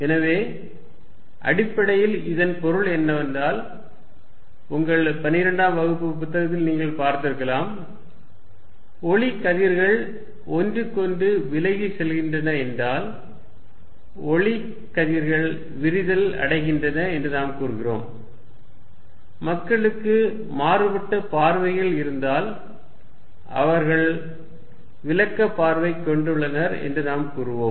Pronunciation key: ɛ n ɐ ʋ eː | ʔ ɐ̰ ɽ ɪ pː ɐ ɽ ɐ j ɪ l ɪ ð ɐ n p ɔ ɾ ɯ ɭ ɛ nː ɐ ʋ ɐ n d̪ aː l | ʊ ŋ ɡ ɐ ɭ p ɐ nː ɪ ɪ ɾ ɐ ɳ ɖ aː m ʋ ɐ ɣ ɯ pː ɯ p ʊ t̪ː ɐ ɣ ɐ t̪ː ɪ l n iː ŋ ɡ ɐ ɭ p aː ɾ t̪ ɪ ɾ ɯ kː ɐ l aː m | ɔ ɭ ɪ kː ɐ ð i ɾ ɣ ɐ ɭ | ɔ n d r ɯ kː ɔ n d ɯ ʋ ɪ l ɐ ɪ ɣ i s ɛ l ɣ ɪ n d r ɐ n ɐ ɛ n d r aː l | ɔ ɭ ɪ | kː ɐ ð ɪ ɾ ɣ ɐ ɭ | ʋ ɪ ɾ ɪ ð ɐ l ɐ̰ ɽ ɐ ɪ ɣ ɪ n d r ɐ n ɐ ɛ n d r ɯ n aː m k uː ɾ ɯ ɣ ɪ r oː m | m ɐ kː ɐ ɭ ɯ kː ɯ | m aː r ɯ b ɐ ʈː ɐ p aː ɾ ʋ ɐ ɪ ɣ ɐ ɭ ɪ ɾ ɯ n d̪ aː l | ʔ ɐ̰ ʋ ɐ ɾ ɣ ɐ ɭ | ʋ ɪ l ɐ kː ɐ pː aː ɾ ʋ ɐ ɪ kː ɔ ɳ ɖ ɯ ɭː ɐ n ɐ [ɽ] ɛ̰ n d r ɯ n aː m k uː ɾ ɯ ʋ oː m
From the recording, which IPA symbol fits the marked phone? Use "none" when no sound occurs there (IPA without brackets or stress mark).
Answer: ɾ